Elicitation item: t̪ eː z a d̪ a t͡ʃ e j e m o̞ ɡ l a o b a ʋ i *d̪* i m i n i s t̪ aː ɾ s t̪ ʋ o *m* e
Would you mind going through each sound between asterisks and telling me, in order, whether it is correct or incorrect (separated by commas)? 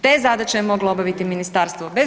incorrect, incorrect